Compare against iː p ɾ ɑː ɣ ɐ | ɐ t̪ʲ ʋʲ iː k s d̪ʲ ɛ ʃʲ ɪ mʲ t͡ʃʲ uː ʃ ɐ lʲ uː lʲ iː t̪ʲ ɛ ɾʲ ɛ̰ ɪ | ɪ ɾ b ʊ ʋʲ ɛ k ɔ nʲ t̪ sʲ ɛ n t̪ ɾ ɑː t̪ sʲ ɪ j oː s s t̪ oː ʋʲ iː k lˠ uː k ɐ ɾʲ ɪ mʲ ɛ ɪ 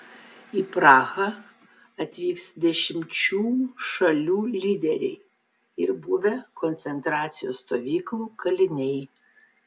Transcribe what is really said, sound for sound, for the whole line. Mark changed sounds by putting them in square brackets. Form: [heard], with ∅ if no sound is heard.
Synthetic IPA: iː p ɾ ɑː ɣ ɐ | ɐ t̪ʲ ʋʲ iː k s d̪ʲ ɛ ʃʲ ɪ mʲ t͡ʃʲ uː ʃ ɐ lʲ uː lʲ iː [d̪ʲ] ɛ ɾʲ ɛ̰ ɪ | ɪ ɾ b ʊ ʋʲ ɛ k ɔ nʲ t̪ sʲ ɛ n t̪ ɾ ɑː t̪ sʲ ɪ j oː s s t̪ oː ʋʲ iː k lˠ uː k ɐ [lʲ] ɪ [nʲ] ɛ ɪ